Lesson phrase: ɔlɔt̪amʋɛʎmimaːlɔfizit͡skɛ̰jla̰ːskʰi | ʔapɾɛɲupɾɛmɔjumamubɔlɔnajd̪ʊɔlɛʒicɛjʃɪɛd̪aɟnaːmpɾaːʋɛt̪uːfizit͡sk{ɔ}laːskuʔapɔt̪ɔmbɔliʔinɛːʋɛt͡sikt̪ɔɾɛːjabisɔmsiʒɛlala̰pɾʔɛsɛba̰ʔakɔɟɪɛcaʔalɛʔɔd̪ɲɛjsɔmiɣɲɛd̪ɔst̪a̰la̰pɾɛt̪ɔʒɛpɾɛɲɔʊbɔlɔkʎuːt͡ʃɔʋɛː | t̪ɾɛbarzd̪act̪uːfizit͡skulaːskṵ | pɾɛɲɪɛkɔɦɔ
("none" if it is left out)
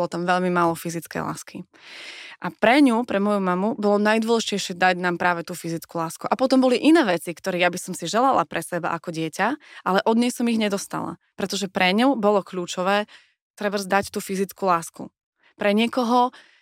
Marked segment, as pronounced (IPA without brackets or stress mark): u